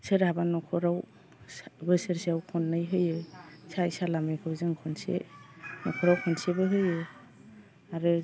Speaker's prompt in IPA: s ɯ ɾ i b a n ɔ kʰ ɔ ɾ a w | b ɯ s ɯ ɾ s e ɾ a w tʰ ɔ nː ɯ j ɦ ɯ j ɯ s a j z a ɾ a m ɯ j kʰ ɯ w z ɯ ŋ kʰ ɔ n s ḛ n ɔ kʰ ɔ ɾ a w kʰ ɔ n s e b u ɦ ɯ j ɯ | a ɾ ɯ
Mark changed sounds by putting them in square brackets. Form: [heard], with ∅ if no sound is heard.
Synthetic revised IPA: s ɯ ɾ [a] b a n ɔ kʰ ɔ ɾ a w | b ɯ s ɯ ɾ s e [∅] a w [kʰ] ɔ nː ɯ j ɦ ɯ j ɯ s a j [s] a [l] a m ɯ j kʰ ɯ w z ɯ ŋ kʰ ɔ n s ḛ n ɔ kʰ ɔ ɾ a w kʰ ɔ n s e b [ɯ] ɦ ɯ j ɯ | a ɾ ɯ